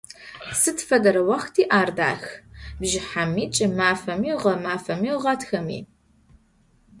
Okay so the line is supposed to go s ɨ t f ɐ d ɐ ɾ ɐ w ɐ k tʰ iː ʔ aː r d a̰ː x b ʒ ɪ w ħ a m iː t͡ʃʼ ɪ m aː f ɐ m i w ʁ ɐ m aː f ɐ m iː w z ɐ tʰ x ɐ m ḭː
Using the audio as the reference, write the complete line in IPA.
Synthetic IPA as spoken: s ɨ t f ɐ d ɐ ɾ ɐ w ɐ x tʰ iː ʔ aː r d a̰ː x b ʒ ɪ ħ a m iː t͡ʃʼ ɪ m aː f ɐ m i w ʁ ɐ m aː f ɐ m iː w ʁ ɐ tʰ x ɐ m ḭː